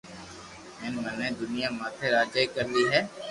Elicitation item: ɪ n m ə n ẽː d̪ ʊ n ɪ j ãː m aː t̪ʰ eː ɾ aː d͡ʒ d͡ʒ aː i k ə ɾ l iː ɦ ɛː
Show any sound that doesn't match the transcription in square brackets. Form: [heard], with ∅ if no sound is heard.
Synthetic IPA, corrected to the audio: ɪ n m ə n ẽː d̪ ʊ n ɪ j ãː m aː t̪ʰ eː ɾ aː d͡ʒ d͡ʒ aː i k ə ɾ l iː ɦ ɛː